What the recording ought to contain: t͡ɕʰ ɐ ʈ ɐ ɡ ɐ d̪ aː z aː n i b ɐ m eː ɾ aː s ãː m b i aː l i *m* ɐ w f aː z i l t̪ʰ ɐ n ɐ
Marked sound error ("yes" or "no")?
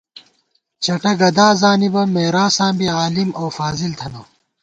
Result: no